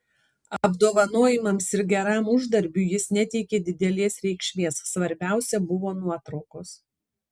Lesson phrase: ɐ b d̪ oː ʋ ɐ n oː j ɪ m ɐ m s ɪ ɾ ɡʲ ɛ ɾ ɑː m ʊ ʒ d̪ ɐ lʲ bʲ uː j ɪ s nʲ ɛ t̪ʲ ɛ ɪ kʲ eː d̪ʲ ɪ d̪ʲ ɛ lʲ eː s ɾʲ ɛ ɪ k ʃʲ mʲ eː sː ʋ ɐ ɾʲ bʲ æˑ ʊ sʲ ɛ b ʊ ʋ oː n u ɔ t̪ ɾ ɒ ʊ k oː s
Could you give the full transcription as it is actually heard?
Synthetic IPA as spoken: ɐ b d̪ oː ʋ ɐ n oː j ɪ m ɐ m s ɪ ɾ ɡʲ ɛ ɾ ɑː m ʊ ʒ d̪ ɐ ɾʲ bʲ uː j ɪ s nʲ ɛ t̪ʲ ɛ ɪ kʲ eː d̪ʲ ɪ d̪ʲ ɛ lʲ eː s ɾʲ ɛ ɪ k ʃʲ mʲ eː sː ʋ ɐ ɾʲ bʲ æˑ ʊ sʲ ɛ b ʊ ʋ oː n u ɔ t̪ ɾ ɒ ʊ k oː s